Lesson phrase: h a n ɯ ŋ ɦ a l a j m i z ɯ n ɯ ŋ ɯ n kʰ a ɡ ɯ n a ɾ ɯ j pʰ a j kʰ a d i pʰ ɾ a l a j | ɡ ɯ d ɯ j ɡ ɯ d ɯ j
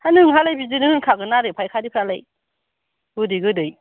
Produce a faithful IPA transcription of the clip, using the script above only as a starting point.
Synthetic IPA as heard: h a n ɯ ŋ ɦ a l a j b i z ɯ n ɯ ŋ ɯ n kʰ a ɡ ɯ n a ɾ ɯ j pʰ a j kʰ a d i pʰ ɾ a l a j | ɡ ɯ d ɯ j ɡ ɯ d ɯ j